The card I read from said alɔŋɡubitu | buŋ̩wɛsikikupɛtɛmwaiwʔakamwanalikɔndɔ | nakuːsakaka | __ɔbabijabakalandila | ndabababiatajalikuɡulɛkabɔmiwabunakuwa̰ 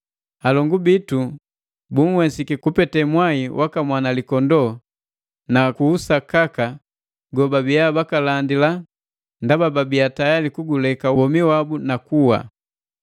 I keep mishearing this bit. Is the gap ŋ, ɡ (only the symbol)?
ɡ